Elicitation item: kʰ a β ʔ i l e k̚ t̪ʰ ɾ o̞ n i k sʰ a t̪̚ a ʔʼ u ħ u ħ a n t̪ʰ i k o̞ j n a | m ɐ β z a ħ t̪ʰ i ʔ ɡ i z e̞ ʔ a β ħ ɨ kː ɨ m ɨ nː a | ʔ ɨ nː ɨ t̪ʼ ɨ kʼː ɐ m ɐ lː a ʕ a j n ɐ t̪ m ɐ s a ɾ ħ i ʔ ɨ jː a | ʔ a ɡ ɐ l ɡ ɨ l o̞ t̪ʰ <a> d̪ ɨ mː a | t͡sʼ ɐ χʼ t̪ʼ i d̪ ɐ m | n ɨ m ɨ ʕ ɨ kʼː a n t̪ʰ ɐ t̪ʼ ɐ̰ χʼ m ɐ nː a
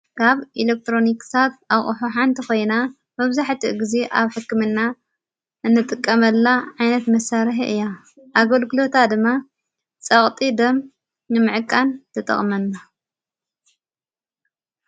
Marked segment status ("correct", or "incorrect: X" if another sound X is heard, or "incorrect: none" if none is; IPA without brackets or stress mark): correct